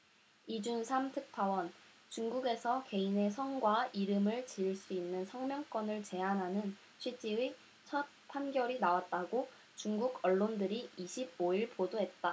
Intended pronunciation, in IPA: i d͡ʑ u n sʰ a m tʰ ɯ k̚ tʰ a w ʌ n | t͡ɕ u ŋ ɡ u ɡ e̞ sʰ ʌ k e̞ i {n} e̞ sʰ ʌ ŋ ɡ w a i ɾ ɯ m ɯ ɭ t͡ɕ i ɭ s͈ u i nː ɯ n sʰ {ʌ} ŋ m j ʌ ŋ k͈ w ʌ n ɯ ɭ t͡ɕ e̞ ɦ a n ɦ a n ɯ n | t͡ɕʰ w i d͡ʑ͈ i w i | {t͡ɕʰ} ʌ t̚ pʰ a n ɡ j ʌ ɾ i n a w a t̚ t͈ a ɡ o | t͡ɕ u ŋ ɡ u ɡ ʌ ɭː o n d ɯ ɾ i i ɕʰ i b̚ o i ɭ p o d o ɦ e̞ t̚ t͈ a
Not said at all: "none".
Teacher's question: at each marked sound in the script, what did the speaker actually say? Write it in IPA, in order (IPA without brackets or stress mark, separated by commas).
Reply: n, ʌ, t͡ɕʰ